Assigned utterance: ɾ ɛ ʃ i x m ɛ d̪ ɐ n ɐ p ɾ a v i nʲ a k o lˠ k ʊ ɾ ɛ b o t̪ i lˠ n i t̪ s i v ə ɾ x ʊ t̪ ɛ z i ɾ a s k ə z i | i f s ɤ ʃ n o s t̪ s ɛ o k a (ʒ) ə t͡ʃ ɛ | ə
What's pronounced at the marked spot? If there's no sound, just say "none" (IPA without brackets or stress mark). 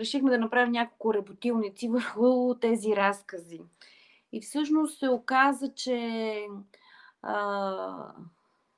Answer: z